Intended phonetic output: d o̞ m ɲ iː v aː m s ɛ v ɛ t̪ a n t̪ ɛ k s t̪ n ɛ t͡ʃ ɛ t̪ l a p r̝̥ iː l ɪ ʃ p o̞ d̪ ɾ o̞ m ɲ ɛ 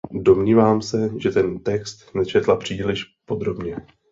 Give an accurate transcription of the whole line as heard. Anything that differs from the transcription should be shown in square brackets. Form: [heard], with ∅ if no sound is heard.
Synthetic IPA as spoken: d o̞ m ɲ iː v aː m s ɛ [ʒ] ɛ t̪ [ɛ] n t̪ ɛ k s t̪ n ɛ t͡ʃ ɛ t̪ l a p r̝̥ iː l ɪ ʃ p o̞ d̪ ɾ o̞ [b] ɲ ɛ